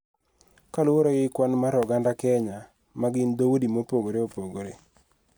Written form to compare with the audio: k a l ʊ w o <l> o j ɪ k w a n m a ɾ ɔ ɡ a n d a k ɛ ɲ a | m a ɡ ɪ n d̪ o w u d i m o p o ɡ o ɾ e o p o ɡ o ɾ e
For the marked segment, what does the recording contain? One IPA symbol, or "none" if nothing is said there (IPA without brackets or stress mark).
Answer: ɾ